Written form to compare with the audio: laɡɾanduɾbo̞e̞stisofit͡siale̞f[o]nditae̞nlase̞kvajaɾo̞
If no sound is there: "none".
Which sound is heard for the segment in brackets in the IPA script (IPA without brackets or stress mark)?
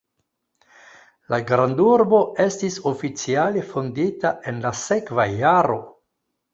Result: o